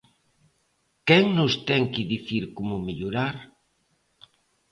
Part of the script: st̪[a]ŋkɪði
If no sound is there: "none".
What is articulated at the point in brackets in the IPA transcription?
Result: ɛ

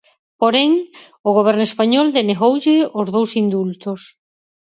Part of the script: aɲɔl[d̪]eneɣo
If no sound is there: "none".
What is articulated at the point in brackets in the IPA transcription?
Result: d̪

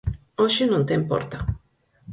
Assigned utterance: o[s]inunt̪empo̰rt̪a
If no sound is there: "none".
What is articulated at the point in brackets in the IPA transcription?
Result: ʃ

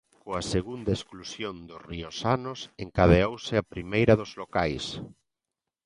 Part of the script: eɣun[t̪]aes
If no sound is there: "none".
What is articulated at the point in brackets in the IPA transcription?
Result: d̪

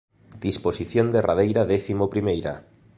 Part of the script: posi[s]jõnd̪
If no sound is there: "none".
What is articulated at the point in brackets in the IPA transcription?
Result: θ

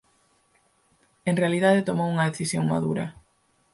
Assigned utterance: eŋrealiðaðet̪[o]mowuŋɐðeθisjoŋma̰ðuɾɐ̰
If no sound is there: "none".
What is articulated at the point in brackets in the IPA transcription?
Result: o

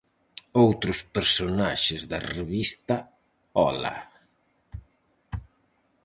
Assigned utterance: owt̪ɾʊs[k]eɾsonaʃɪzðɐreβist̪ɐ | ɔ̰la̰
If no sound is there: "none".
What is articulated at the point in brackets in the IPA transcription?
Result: p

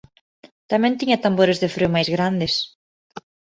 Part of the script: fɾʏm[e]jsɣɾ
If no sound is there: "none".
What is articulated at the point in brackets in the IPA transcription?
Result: a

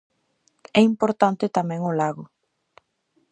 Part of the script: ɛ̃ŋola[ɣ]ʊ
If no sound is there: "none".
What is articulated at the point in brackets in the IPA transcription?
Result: ɣ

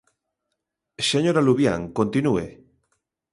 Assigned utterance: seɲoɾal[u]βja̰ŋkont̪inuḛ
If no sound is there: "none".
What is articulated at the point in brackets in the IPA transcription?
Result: u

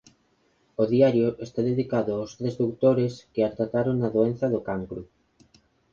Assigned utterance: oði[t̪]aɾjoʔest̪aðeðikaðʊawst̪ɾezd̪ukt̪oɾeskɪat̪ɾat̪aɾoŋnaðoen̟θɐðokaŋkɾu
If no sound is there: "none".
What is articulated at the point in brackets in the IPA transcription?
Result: none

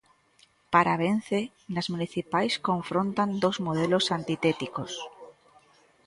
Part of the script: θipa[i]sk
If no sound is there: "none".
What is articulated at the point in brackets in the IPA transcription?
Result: j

